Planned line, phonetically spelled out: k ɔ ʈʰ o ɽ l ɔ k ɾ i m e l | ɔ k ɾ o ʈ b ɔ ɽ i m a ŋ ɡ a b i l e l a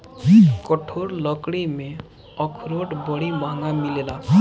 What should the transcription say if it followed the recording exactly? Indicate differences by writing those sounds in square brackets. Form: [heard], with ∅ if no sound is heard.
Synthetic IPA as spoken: k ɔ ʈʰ o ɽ l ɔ k [ɽ] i m e [∅] | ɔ [kʰ] ɾ o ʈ b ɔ ɽ i m a ŋ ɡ a [m] i l e l a